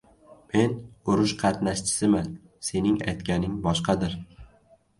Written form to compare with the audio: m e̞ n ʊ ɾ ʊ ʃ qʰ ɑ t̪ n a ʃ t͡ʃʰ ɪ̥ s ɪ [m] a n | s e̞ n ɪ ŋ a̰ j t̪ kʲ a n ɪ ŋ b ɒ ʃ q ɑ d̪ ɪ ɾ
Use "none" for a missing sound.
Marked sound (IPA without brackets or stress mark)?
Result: m